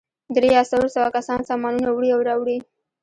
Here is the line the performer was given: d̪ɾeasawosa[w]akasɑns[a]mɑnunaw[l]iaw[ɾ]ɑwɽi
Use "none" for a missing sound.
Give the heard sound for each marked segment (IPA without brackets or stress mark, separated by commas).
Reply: w, ɑ, ɽ, ɾ